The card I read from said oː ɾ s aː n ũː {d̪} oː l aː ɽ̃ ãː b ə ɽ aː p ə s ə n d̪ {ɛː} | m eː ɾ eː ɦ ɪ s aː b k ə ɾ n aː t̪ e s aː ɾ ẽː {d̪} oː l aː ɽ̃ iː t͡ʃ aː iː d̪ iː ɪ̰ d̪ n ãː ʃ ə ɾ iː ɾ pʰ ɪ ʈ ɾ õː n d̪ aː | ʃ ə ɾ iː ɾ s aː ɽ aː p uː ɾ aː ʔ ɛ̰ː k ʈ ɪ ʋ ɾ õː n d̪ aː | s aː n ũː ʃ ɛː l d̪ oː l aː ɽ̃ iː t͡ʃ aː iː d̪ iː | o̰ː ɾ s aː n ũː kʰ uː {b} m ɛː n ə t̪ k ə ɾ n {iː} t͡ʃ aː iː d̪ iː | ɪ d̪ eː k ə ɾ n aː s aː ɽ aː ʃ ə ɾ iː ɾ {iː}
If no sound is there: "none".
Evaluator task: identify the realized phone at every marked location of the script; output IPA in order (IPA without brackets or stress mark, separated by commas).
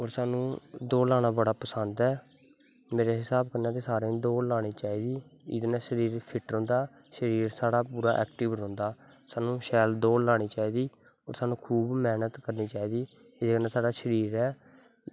d̪, ɛː, d̪, b, iː, ɛː